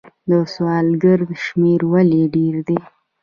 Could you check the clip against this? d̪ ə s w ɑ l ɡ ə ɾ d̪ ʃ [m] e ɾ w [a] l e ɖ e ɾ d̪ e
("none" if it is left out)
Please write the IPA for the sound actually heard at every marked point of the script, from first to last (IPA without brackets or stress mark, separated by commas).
m, a